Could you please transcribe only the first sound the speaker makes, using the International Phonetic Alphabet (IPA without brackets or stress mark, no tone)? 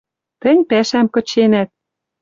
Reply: t̪